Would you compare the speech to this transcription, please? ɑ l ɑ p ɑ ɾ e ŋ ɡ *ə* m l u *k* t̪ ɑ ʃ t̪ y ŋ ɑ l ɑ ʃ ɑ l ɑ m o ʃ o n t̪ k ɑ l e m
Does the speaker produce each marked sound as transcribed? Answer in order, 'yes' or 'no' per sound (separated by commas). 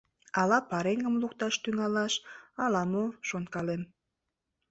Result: yes, yes